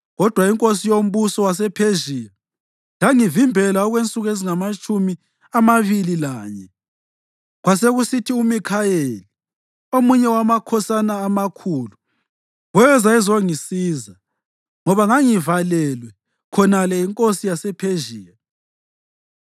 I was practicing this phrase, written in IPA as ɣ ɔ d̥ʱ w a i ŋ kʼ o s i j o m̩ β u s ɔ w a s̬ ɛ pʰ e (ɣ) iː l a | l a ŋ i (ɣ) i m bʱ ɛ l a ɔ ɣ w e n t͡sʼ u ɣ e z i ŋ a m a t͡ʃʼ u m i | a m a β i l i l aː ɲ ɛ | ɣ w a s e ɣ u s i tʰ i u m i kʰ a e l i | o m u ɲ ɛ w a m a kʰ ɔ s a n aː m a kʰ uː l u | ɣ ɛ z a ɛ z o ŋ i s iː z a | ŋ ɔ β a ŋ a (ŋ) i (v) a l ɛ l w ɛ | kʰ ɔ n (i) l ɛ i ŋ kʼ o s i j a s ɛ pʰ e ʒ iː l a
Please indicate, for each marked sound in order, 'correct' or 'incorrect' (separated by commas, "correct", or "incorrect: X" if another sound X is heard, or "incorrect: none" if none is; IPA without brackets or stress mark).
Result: incorrect: ʒ, incorrect: v, correct, correct, incorrect: a